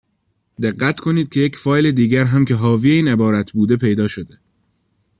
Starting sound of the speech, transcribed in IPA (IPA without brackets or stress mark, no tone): d̪